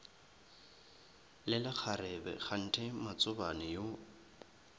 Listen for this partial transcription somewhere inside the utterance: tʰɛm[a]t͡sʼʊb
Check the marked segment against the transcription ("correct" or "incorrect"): correct